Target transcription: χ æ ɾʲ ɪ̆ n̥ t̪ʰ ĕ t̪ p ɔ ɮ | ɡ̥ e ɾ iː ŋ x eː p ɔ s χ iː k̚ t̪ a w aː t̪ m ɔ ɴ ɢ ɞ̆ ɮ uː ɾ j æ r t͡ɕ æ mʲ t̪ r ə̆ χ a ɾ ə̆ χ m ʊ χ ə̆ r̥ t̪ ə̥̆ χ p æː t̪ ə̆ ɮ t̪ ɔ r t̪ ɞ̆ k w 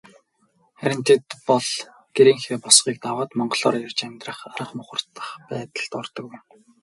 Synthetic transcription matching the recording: χ æ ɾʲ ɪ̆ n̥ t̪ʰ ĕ t̪ p ɔ ɮ | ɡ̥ e ɾ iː ŋ x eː p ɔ s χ iː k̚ t̪ a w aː t̪ m ɔ ɴ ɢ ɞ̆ ɮ ɔː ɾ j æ r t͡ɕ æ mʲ t̪ r ə̆ χ a ɾ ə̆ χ m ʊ χ ə̆ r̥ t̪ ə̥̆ χ p æː t̪ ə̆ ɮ t̪ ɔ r t̪ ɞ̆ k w